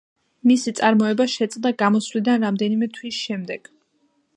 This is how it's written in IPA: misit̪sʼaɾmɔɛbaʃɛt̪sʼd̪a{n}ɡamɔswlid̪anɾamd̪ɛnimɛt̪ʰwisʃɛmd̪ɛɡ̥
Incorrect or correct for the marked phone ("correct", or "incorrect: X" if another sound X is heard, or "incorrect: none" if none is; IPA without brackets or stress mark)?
incorrect: none